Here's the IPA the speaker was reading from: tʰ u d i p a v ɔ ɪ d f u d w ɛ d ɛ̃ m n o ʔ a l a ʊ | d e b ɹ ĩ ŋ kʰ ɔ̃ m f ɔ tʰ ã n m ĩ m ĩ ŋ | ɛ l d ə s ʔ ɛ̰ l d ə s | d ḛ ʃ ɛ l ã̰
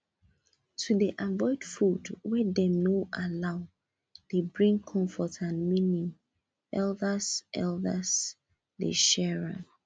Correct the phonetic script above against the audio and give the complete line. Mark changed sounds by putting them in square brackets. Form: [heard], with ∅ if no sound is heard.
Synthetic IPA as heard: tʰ u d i [ʔ] a v ɔ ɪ d f u d w ɛ d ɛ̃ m n o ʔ a l a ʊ | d e b ɹ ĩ ŋ kʰ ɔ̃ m f ɔ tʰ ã n m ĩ [n] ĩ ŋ | ɛ l d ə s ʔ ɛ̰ l d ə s | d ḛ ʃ ɛ [ɹ] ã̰